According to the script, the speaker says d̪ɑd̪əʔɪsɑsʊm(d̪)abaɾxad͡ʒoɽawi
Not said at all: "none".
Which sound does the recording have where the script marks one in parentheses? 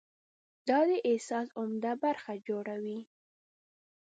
d̪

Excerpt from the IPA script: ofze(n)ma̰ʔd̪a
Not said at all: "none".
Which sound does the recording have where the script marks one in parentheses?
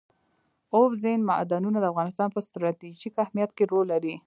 n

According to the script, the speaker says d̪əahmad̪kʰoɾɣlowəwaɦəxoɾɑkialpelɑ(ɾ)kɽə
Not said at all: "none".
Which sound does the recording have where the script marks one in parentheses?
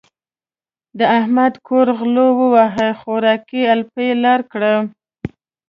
ɾ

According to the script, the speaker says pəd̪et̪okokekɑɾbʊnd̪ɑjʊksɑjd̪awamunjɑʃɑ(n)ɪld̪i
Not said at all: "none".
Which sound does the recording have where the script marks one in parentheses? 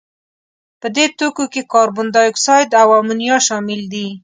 m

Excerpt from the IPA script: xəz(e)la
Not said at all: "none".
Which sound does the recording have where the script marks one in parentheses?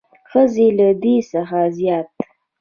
e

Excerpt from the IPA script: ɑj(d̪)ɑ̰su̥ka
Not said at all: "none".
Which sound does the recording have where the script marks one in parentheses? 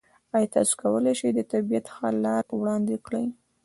t̪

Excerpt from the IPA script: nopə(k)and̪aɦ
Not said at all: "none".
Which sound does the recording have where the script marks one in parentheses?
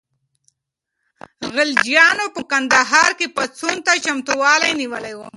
k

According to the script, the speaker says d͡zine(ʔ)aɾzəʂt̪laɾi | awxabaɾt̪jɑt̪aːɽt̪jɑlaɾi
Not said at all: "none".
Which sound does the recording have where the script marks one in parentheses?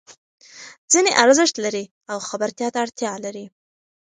ʔ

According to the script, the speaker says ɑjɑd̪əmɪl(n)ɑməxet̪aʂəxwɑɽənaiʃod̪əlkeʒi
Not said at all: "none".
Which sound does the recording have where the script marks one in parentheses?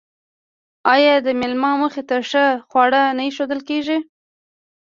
m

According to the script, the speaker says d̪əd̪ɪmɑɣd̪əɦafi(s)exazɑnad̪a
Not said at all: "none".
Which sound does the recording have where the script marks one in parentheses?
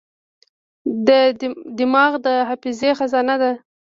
z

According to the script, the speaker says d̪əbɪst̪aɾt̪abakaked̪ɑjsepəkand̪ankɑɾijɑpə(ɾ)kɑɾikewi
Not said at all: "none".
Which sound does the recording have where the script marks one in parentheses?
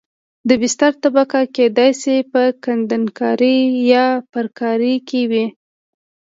ɾ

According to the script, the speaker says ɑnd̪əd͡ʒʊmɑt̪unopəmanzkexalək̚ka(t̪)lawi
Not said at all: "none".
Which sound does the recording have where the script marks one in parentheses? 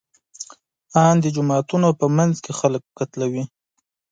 t̪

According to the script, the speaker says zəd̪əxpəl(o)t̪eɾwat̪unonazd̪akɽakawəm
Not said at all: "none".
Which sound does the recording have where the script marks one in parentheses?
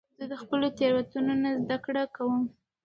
o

